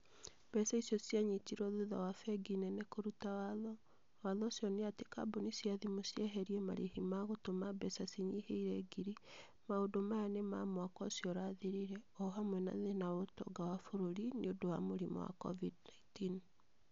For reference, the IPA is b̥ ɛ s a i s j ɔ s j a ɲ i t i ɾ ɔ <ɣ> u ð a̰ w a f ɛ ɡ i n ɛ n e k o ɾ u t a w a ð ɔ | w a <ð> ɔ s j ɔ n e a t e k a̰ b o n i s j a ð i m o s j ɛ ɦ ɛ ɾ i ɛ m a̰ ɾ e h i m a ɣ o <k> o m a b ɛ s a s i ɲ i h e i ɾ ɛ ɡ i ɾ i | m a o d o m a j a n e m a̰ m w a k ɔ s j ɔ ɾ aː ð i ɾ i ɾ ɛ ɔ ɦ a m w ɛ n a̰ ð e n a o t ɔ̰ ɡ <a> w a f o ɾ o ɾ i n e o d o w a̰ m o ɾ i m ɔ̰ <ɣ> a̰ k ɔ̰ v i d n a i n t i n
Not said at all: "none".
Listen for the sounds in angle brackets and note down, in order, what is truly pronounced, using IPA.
ð, ð, t, a, w

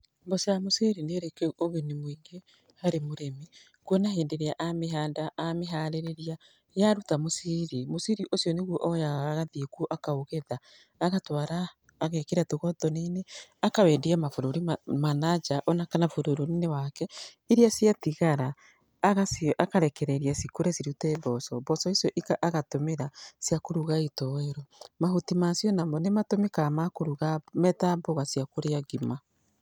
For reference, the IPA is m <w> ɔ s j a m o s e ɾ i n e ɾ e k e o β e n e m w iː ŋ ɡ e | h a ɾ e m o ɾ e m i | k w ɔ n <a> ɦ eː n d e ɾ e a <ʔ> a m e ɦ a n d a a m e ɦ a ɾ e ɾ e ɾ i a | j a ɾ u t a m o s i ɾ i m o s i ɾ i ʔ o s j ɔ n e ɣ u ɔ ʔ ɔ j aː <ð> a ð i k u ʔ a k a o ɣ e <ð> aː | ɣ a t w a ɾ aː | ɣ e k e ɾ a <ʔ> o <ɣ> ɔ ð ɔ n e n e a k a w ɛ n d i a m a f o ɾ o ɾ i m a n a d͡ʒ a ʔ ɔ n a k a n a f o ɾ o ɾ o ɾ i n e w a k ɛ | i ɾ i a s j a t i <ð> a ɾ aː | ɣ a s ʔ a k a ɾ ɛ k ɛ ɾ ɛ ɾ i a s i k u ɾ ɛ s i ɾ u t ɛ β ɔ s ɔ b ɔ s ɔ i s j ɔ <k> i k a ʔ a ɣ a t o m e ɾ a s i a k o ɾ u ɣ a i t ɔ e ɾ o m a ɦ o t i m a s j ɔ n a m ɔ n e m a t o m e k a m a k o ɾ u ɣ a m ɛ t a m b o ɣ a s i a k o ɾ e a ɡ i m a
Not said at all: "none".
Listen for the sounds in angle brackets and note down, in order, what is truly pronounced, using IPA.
b, a, ʔ, ɣ, ð, t, ɣ, ɣ, ʔ

